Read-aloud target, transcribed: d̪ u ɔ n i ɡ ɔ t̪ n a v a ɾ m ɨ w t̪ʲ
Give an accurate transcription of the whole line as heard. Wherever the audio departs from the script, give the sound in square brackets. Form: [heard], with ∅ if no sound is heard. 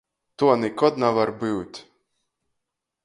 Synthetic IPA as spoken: [t̪] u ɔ n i [k] ɔ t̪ n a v a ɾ [b] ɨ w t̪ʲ